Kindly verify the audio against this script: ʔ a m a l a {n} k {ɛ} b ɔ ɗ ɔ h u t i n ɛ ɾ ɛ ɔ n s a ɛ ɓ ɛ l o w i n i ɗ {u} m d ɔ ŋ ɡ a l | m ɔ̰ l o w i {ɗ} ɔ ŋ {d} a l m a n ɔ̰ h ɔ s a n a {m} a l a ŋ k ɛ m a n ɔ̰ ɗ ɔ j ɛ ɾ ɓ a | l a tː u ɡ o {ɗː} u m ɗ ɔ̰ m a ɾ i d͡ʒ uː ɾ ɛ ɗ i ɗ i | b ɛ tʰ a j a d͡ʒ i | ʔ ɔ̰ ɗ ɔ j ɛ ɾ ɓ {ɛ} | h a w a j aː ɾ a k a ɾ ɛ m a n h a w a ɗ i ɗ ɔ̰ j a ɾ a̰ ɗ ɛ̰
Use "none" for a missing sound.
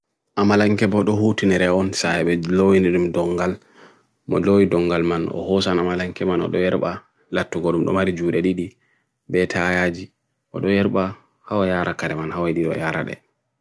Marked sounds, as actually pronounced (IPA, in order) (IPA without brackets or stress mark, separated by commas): ŋ, ɛ, u, d, ɡ, m, ɗ, a